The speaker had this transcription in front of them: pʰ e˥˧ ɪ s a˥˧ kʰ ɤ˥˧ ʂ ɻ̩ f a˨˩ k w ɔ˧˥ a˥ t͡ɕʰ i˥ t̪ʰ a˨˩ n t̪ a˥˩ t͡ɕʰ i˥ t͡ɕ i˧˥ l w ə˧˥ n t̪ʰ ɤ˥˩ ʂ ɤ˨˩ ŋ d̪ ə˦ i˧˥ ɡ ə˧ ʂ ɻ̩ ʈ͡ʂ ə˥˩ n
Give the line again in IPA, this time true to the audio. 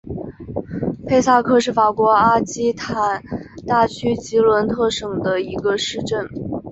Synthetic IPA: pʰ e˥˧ ɪ s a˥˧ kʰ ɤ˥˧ ʂ ɻ̩ f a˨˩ k w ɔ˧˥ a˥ t͡ɕ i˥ t̪ʰ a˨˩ n t̪ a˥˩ t͡ɕʰ y˥ t͡ɕ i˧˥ l w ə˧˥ n t̪ʰ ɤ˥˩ ʂ ɤ˨˩ ŋ d̪ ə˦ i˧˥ ɡ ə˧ ʂ ɻ̩ ʈ͡ʂ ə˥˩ n